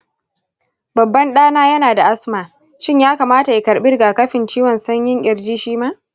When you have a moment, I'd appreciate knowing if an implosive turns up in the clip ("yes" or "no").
yes